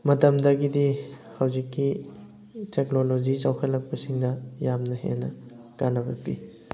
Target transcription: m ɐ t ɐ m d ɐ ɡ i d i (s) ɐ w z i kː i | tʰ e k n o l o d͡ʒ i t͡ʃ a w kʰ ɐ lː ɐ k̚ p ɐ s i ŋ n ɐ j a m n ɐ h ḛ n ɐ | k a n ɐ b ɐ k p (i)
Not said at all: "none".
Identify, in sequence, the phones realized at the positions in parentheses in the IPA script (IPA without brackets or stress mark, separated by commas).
h, i